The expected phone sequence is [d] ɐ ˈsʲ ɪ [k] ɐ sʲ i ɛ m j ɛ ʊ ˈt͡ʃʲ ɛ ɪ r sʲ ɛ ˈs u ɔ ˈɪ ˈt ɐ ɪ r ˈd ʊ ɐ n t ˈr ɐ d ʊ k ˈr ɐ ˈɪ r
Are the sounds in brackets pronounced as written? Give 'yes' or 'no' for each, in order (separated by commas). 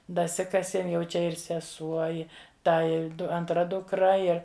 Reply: yes, yes